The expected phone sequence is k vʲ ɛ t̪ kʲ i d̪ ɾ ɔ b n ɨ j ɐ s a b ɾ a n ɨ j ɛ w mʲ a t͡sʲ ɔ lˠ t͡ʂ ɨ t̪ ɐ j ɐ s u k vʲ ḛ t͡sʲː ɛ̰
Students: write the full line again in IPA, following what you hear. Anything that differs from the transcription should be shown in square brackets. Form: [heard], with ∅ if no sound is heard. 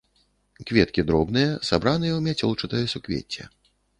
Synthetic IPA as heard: k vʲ ɛ t̪ kʲ i d̪ ɾ ɔ b n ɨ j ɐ s a b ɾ a n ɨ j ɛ w mʲ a t͡sʲ ɔ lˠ t͡ʂ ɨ t̪ ɐ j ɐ s u k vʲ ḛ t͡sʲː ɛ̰